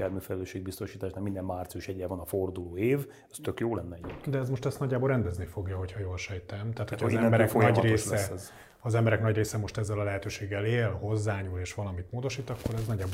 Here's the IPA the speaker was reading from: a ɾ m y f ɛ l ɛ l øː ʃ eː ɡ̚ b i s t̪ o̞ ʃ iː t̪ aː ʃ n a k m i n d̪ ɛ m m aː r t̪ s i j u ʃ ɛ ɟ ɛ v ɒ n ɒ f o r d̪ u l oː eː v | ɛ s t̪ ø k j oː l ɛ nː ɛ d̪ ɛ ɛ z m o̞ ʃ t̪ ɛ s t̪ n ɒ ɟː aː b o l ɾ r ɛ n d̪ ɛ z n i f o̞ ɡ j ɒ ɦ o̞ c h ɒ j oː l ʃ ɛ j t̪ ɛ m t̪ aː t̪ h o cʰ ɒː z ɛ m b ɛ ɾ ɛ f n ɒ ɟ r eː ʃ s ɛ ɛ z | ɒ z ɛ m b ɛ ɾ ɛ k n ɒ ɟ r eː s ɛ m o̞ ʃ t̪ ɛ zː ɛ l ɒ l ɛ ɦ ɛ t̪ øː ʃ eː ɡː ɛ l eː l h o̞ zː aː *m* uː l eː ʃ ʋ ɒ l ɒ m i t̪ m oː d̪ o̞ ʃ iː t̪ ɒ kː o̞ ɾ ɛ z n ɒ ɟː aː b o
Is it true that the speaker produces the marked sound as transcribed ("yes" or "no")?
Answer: no